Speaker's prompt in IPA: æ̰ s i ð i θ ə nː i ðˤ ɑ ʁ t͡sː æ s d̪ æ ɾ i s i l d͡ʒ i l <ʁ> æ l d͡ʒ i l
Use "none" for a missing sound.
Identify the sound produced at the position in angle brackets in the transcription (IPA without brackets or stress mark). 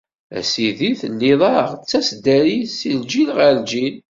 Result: ʁ